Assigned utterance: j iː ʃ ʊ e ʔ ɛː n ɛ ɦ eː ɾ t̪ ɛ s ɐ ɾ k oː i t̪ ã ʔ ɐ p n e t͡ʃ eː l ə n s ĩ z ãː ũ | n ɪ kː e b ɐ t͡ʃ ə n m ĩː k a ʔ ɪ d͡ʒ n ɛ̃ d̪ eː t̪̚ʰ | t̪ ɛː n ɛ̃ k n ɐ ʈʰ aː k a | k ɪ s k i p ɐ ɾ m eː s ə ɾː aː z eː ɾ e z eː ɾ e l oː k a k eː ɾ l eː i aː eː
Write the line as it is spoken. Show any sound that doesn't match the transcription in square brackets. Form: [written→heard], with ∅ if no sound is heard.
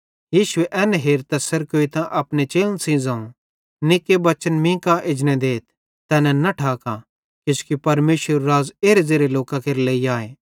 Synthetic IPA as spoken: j iː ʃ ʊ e ʔ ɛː n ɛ ɦ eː ɾ t̪ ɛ s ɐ ɾ k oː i t̪ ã ʔ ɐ p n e t͡ʃ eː l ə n s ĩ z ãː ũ | n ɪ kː e b ɐ t͡ʃ ə n m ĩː k a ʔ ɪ d͡ʒ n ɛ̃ d̪ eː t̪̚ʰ | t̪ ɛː n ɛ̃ [k→∅] n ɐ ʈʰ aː k a | k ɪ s k i p ɐ ɾ m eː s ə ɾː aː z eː ɾ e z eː ɾ e l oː k a k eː ɾ l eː i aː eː